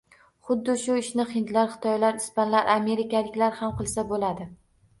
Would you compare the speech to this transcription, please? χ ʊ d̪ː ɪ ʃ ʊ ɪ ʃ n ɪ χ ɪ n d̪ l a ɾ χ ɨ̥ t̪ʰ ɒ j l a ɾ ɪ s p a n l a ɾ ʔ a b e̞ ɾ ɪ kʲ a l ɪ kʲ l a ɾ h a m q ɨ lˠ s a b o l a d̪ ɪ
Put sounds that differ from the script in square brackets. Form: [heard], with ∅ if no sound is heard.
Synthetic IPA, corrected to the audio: χ ʊ d̪ː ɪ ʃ ʊ ɪ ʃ n ɪ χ ɪ n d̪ l a ɾ χ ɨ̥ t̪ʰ ɒ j l a ɾ ɪ s p a n l a ɾ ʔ a [m] e̞ ɾ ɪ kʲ a l ɪ kʲ l a ɾ h a m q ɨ lˠ s a b o l a d̪ ɪ